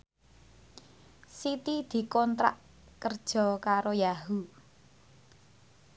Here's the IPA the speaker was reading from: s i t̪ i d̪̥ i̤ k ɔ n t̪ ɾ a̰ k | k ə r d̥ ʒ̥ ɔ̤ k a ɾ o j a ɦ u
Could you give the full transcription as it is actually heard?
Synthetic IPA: s i t̪ i d̪̥ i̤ k ɔ n t̪ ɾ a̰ ʔ | k ə r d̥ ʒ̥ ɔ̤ k a ɾ o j a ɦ u